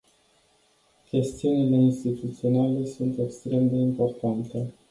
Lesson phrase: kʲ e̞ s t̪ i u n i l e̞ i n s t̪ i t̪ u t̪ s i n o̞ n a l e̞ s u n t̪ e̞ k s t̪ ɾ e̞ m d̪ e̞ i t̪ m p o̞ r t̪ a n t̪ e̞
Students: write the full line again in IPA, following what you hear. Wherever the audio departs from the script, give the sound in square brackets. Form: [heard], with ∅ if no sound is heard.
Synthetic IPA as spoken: kʲ e̞ s t̪ i u n i l e̞ i n s t̪ i t̪ u t̪ s i [∅] o̞ n a l e̞ s u n t̪ e̞ k s t̪ ɾ e̞ m d̪ e̞ i [∅] m p o̞ r t̪ a n t̪ e̞

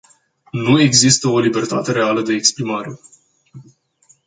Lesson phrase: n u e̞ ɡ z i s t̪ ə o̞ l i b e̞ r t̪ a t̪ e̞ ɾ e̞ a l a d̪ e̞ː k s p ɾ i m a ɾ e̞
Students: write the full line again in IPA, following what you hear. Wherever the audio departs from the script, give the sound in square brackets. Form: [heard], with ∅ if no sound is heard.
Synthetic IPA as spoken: n u e̞ ɡ z i s t̪ ə o̞ l i b e̞ r t̪ a t̪ e̞ ɾ e̞ a l [ə] d̪ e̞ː k s p ɾ i m a ɾ e̞

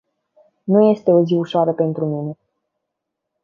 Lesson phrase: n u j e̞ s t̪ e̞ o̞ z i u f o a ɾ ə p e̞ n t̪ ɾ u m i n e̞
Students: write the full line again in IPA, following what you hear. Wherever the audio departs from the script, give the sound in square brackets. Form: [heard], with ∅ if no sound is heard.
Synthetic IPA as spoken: n u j e̞ s t̪ e̞ o̞ z i u [ʃ] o a ɾ ə p e̞ n t̪ ɾ u m i n e̞

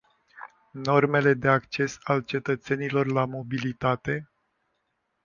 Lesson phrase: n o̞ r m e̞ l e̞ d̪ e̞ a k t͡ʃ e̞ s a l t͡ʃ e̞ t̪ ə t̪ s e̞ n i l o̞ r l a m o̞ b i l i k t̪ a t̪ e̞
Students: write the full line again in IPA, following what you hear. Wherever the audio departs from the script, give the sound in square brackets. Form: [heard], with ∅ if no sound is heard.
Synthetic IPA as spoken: n o̞ r m e̞ l e̞ d̪ e̞ a k t͡ʃ e̞ s a l t͡ʃ e̞ t̪ ə t̪ s e̞ n i l o̞ r l a m o̞ b i l i [∅] t̪ a t̪ e̞

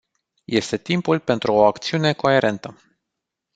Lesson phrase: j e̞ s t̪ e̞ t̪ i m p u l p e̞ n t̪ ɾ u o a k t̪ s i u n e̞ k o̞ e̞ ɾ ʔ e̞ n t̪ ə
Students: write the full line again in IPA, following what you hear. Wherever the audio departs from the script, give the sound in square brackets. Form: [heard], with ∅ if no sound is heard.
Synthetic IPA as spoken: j e̞ s t̪ e̞ t̪ i m p u l p e̞ n t̪ ɾ u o a k t̪ s i u n e̞ k o̞ e̞ ɾ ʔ e̞ n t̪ ə

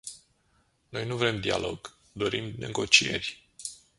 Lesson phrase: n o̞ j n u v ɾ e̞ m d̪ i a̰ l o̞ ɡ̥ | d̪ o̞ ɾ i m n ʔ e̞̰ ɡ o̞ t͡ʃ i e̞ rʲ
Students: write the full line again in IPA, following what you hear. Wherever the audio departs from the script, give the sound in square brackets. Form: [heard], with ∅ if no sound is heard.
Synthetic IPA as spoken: n o̞ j n u v ɾ e̞ m d̪ i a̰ l o̞ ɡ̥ | d̪ o̞ ɾ i m n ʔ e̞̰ ɡ o̞ t͡ʃ i e̞ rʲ

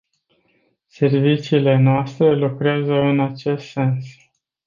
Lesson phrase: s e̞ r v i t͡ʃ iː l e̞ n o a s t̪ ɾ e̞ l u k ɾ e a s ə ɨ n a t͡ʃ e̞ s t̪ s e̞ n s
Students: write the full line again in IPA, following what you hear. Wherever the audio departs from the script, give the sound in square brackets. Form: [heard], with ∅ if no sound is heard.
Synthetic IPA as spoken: s e̞ r v i t͡ʃ iː l e̞ n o a s t̪ ɾ e̞ l u k ɾ e a [z] ə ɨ n a t͡ʃ e̞ s t̪ s e̞ n s

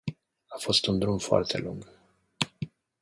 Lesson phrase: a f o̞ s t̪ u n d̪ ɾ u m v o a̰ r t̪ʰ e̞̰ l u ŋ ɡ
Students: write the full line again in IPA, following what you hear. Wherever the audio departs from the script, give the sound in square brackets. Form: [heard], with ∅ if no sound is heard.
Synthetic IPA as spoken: a f o̞ s t̪ u n d̪ ɾ u m [f] o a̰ r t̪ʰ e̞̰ l u ŋ ɡ

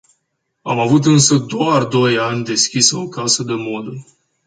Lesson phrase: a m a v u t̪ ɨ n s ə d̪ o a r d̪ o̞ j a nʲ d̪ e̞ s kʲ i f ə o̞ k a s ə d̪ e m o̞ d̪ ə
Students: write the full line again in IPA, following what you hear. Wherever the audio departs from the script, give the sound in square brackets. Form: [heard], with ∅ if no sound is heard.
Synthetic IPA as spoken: a m a v u t̪ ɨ n s ə d̪ o a r d̪ o̞ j a nʲ d̪ e̞ s kʲ i [s] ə o̞ k a s ə d̪ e m o̞ d̪ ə

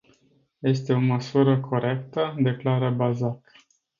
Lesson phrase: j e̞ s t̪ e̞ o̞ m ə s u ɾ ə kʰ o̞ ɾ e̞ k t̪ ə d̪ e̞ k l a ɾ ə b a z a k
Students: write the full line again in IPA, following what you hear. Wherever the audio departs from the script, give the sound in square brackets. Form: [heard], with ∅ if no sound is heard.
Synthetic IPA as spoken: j e̞ s t̪ e̞ o̞ m ə s u ɾ ə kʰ o̞ ɾ e̞ k t̪ ə d̪ e̞ k l a ɾ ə b a z a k

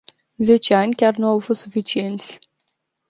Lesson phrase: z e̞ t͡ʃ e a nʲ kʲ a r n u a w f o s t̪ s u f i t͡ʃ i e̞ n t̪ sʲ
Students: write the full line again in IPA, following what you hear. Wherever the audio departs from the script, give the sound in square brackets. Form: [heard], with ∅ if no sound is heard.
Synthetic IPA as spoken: z e̞ t͡ʃ e a nʲ kʲ a r n u a w f o s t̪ s u f i t͡ʃ i e̞ n t̪ sʲ

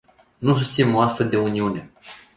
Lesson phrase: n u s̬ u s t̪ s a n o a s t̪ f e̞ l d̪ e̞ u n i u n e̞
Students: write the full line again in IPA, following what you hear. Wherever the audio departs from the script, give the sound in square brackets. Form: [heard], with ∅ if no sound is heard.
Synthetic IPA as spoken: n u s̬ u s t̪ s [i] n o a s t̪ f e̞ l d̪ e̞ u n i u n e̞

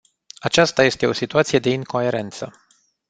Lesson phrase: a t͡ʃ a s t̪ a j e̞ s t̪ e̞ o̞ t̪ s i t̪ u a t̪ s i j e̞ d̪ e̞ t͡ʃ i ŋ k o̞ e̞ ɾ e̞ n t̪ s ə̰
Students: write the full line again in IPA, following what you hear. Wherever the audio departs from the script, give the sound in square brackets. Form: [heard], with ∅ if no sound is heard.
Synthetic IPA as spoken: a t͡ʃ a s t̪ a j e̞ s t̪ e̞ o̞ [∅] s i t̪ u a t̪ s i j e̞ d̪ e̞ [∅] i ŋ k o̞ e̞ ɾ e̞ n t̪ s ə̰

